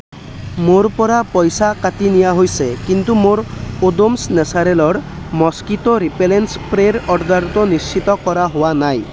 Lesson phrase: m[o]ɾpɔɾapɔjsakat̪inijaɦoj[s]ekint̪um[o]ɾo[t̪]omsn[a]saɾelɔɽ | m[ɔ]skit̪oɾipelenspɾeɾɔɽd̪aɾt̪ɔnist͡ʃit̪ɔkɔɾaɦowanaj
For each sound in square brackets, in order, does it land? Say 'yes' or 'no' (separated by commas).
yes, yes, yes, no, no, yes